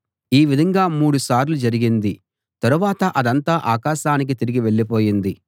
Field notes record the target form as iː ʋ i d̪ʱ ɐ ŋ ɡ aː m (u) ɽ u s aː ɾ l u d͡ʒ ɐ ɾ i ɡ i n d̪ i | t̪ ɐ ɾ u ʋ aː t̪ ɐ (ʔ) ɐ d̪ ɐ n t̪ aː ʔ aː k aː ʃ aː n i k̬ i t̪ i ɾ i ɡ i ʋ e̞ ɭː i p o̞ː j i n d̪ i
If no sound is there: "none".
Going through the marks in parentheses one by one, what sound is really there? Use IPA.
uː, ʔ

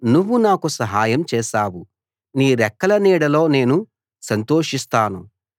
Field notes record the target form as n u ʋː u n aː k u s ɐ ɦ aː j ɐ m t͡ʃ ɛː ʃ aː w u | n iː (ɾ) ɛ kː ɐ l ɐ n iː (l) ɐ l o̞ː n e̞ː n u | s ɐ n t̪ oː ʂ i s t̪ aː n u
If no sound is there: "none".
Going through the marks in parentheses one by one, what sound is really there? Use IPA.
ɾ, ɽ

